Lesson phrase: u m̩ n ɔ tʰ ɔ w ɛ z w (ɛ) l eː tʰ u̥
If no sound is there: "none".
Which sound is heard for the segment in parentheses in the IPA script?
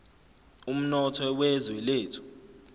ɛ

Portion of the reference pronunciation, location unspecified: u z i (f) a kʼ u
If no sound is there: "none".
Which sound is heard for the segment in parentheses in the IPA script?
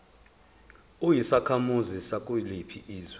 s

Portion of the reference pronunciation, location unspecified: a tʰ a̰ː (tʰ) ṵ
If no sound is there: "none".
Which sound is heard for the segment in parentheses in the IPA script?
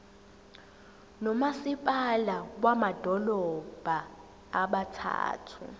tʰ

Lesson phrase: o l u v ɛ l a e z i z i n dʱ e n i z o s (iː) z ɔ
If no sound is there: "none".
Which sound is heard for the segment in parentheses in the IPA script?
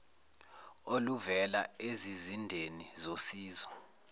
iː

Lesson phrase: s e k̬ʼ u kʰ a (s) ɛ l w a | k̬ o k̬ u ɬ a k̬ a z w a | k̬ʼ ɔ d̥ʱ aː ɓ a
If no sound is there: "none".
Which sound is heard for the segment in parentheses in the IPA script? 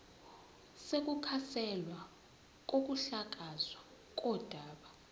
s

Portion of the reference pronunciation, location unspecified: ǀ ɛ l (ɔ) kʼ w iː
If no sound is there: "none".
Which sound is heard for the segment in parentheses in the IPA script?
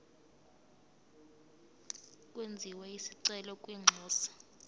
ɔ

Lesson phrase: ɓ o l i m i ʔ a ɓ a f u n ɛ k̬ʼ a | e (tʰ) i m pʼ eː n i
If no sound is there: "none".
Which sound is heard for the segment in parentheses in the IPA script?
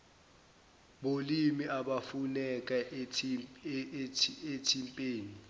tʰ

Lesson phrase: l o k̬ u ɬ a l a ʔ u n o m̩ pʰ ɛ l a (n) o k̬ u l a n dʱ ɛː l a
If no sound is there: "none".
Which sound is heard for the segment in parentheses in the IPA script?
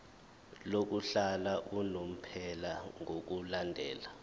ŋ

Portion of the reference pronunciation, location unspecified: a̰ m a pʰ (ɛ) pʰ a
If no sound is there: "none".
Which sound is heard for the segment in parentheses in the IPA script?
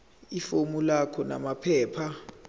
ɛː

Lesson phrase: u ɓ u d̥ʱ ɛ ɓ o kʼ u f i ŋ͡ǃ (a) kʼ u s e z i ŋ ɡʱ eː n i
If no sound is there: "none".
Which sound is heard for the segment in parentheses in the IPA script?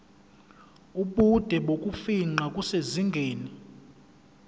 a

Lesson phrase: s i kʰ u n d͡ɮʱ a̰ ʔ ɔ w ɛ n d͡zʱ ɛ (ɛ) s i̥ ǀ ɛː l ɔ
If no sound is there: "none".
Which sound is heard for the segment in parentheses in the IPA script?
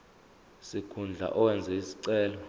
i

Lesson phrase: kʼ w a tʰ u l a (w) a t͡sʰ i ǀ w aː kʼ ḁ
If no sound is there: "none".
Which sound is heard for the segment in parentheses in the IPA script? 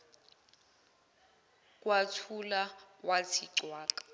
w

